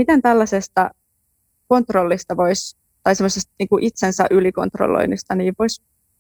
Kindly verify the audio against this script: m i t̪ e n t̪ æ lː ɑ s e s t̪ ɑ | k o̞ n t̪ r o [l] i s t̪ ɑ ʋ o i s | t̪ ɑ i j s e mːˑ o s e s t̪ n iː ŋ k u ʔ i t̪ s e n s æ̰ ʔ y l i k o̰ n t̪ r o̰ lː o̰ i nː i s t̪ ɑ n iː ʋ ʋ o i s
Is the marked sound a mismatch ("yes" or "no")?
yes